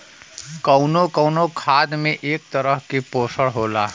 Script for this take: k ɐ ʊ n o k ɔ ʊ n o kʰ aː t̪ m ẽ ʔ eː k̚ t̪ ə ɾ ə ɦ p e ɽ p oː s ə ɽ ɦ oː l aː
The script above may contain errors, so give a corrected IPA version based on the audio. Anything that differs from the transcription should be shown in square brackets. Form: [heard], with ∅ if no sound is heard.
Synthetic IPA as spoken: k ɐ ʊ n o k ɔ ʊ n o kʰ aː [d̪] m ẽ ʔ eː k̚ t̪ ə ɾ ə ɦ [k] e [∅] p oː s ə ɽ ɦ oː l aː